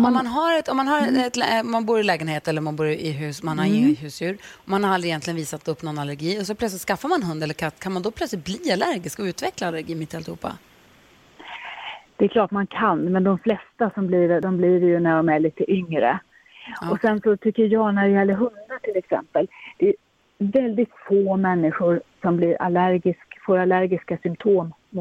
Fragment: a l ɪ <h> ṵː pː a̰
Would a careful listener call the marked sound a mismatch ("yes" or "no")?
no